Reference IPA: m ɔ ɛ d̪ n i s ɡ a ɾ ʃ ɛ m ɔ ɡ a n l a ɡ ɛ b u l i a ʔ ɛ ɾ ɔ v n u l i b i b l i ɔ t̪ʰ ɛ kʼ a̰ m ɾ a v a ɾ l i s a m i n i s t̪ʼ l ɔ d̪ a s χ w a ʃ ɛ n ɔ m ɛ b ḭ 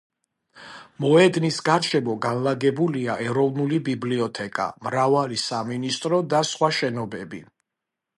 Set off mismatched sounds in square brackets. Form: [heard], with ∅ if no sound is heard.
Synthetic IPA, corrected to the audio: m ɔ ɛ d̪ n i s ɡ a ɾ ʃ ɛ m ɔ ɡ a n l a ɡ ɛ b u l i a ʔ ɛ ɾ ɔ v n u l i b i b l i ɔ t̪ʰ ɛ kʼ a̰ m ɾ a v a [∅] l i s a m i n i s t̪ʼ [ɾ] ɔ d̪ a s χ w a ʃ ɛ n ɔ [b] ɛ b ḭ